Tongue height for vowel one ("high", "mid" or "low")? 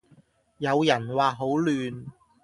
low